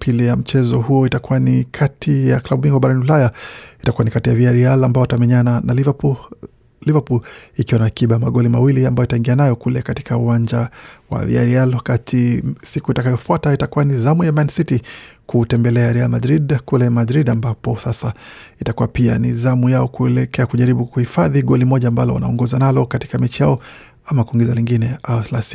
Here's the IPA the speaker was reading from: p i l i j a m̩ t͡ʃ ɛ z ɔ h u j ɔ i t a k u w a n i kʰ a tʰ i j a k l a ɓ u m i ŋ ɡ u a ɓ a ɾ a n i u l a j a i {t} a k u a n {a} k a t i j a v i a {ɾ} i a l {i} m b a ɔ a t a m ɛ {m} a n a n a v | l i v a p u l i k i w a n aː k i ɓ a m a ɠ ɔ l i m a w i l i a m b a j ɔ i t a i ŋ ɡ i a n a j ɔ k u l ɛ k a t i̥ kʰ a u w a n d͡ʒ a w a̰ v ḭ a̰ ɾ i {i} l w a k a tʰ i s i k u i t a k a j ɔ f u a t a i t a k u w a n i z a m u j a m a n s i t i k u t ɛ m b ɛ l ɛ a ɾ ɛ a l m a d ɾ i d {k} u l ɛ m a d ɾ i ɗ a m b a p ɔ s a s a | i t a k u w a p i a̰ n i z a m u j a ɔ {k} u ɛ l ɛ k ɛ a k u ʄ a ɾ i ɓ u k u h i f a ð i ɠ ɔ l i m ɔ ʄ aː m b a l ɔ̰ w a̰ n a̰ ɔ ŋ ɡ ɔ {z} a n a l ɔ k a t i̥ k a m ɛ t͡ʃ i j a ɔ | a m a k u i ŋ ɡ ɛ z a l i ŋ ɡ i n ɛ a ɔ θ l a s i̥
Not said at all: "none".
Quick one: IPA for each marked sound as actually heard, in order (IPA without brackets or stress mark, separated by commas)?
t, i, ɾ, a, ɲ, a, k, k, z